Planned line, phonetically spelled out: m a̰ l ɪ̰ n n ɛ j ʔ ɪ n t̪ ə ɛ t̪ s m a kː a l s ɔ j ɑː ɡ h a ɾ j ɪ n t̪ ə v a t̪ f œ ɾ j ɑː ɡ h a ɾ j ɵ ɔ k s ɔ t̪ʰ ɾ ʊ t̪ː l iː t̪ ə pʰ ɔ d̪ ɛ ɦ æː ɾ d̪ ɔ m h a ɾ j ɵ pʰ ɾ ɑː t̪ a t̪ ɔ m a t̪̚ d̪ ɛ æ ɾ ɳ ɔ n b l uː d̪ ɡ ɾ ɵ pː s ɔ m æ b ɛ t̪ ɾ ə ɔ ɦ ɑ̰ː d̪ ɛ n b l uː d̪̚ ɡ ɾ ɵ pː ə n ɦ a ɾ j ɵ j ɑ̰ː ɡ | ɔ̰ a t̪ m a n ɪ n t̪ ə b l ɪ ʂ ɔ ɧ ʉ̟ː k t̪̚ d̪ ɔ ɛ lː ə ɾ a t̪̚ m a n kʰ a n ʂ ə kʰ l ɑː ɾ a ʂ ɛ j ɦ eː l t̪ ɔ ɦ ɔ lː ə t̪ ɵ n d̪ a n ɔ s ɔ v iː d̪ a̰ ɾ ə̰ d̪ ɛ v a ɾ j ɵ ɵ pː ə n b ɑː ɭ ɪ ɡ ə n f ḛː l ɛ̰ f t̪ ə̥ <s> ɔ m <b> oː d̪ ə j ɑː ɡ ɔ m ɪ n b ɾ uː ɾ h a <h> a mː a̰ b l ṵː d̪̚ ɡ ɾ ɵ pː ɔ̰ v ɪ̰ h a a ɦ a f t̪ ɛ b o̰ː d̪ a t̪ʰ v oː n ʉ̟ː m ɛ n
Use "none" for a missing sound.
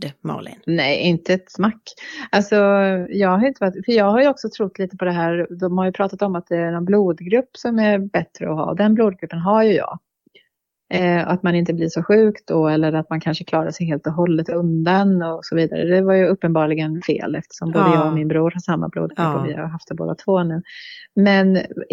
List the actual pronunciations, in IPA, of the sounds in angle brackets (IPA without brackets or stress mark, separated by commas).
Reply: ʂ, b, ʂ